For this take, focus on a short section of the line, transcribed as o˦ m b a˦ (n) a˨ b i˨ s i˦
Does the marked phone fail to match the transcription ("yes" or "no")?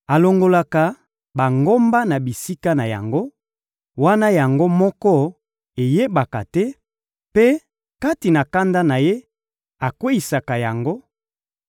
no